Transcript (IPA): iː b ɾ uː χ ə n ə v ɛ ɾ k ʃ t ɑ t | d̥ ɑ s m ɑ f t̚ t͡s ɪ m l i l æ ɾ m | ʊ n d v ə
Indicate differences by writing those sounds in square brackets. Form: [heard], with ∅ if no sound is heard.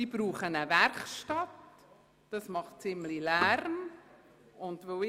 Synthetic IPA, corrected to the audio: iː b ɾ uː χ ə n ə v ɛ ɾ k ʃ t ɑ t | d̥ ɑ s m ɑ [χ] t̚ t͡s ɪ m l i l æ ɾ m | ʊ n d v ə